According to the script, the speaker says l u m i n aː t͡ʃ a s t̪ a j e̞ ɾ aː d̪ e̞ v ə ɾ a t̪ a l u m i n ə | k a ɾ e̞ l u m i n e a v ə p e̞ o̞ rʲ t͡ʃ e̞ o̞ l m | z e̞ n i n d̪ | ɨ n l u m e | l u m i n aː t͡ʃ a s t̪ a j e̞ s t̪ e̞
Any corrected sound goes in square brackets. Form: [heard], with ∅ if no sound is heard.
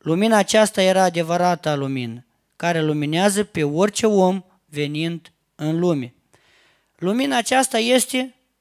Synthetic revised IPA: l u m i n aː t͡ʃ a s t̪ a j e̞ ɾ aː d̪ e̞ v ə ɾ a t̪ a l u m i n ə | k a ɾ e̞ l u m i n e a [z] ə p e̞ o̞ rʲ t͡ʃ e̞ o̞ [∅] m | [v] e̞ n i n d̪ | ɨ n l u m e | l u m i n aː t͡ʃ a s t̪ a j e̞ s t̪ e̞